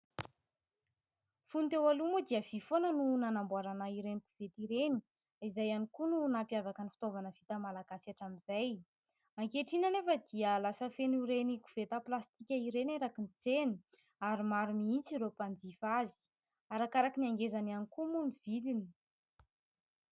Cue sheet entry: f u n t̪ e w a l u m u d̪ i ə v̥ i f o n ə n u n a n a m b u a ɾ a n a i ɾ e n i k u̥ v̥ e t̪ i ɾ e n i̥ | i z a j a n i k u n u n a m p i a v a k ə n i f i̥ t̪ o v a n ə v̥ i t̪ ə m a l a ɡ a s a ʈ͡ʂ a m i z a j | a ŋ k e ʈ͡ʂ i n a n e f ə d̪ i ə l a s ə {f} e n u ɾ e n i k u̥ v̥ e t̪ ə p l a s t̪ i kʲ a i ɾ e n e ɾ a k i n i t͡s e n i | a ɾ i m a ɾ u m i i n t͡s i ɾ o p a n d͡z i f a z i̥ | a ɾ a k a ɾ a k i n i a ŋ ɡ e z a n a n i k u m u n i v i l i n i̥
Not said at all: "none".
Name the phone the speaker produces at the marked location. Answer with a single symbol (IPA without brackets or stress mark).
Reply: f